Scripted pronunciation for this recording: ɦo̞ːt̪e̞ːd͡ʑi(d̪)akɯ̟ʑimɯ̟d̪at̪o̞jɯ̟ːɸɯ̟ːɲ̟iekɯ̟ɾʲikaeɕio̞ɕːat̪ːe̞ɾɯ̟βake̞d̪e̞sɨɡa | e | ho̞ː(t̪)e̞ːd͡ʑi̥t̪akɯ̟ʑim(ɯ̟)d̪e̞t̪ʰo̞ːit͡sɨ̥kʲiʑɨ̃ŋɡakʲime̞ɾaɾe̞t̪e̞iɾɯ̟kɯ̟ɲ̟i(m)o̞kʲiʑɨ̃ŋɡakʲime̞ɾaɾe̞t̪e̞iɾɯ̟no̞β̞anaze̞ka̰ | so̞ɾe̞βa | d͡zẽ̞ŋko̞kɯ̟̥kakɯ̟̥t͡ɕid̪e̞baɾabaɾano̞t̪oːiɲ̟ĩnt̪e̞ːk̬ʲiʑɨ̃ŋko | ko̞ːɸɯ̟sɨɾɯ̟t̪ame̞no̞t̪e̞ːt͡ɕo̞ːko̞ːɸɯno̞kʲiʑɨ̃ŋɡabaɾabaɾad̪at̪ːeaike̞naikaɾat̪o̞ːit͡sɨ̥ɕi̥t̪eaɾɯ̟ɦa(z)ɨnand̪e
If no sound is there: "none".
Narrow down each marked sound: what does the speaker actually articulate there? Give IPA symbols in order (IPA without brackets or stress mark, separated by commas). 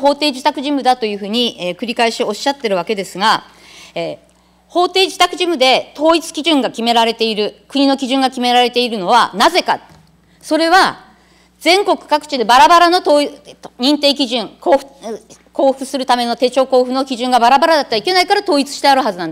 t̪, t̪, ɯ̟, n, z